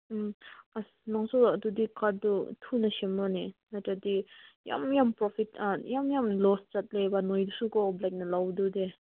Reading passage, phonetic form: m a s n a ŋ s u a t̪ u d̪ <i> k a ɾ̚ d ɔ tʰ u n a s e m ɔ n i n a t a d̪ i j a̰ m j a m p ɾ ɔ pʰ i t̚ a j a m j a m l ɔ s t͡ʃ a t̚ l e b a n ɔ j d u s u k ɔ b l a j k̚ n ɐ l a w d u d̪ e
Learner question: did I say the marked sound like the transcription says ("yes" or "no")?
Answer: yes